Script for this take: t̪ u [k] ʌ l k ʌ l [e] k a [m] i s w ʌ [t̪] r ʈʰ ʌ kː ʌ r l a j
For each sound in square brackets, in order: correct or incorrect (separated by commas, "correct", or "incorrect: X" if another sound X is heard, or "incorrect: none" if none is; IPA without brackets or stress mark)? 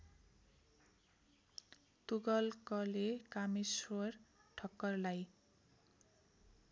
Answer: incorrect: ɡ, correct, correct, incorrect: none